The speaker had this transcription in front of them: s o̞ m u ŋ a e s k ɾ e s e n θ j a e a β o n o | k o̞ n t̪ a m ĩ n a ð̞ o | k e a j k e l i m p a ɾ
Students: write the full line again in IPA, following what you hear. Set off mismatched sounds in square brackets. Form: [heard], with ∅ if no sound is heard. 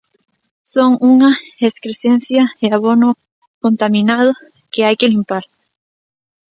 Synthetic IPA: s o̞ [ŋ] u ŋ a e s k ɾ e s e n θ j a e a β o n o | k o̞ n t̪ a m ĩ n a ð̞ o | k e a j k e l i m p a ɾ